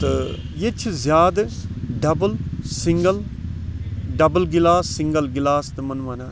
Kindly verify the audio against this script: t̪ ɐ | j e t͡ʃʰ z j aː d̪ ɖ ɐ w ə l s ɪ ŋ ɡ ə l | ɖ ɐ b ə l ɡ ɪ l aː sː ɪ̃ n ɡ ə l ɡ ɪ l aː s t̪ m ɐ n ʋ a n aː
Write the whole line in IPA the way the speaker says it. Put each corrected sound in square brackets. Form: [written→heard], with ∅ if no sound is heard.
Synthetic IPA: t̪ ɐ | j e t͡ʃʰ z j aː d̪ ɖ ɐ [w→b] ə l s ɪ ŋ ɡ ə l | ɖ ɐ b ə l ɡ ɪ l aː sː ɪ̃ [n→ŋ] ɡ ə l ɡ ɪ l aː s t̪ m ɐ n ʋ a n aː